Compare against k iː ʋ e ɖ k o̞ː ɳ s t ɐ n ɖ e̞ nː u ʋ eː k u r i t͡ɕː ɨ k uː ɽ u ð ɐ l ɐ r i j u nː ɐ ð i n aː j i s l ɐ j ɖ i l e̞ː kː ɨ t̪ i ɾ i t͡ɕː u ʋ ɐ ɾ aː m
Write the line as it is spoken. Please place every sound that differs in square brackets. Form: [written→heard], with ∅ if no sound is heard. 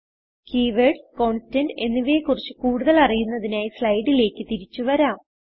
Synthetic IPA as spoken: k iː ʋ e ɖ k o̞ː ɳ s t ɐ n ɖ e̞ nː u ʋ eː k u r i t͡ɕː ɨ k uː ɽ u ð ɐ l ɐ r i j u nː ɐ ð i n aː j i s l ɐ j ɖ i l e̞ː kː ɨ t̪ i ɾ i t͡ɕː u ʋ ɐ ɾ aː m

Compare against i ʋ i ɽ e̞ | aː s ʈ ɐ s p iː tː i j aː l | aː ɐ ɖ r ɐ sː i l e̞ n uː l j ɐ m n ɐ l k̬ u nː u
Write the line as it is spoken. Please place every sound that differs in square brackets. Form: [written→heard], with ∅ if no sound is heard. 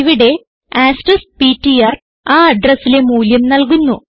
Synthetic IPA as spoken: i ʋ i ɽ e̞ | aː s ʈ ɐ s p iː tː i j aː [l→r] | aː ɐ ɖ r ɐ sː i l e̞ [n→m] uː l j ɐ m n ɐ l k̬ u nː u

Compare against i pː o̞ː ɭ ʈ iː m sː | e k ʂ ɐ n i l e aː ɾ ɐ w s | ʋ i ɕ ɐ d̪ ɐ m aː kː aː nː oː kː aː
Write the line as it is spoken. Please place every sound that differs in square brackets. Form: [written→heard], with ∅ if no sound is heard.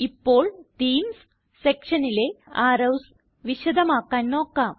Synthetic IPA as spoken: i pː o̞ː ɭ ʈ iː m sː | e k ʂ ɐ n i l e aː ɾ ɐ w s | ʋ i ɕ ɐ d̪ ɐ m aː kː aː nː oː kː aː

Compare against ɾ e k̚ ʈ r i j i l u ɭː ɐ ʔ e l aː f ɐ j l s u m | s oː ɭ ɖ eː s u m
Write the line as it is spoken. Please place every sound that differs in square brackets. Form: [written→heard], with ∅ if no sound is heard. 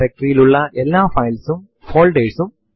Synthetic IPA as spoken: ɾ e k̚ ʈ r i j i l u ɭː ɐ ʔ e [l→lː] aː f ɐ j l s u m | [s→f] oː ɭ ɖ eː s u m

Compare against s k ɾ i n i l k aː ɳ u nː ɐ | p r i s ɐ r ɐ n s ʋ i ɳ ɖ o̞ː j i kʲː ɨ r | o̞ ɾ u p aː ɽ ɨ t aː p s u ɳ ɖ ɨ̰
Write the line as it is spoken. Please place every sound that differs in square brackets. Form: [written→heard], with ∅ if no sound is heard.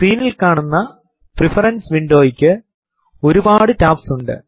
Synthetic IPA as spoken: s k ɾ [i→iː] n i l k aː ɳ u nː ɐ | p r i [s→f] ɐ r ɐ n s ʋ i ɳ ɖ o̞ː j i kʲː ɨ [r→∅] | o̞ ɾ u [p→b] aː ɽ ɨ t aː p s u ɳ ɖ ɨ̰

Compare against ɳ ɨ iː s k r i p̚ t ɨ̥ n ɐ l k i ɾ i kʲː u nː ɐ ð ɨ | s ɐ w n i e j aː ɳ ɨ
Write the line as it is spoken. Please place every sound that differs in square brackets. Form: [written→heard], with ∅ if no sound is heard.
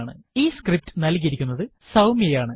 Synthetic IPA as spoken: ɳ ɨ iː s k r i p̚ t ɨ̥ n ɐ l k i ɾ i kʲː u nː ɐ ð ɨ | s ɐ w [n→m] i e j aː ɳ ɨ

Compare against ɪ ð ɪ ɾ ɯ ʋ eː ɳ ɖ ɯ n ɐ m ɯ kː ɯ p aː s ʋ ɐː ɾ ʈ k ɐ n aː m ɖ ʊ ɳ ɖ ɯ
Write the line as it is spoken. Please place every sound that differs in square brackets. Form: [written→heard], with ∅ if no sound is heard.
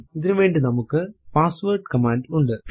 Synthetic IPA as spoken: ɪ ð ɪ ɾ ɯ ʋ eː ɳ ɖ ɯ n ɐ m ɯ kː ɯ p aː s ʋ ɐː ɾ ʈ k ɐ [n→m] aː [m→ɳ] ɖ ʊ ɳ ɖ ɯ

